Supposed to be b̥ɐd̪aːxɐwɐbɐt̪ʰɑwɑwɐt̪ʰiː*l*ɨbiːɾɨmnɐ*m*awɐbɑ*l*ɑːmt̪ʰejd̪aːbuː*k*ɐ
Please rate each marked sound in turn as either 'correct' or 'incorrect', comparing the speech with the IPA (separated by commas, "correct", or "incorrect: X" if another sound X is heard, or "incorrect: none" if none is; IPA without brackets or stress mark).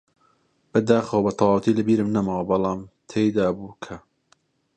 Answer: correct, correct, correct, incorrect: kʰ